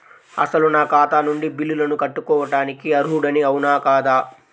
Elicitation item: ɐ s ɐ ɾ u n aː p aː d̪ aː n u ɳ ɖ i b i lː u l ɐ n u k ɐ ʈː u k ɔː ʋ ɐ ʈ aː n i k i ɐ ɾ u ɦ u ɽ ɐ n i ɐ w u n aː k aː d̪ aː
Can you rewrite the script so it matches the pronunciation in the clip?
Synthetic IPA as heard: ɐ s ɐ l u n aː k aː t̪ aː n u ɳ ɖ i b i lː u l ɐ n u k ɐ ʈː u k ɔː ʋ ɐ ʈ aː n i k i ɐ ɾ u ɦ u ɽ ɐ n i ɐ w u n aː k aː d̪ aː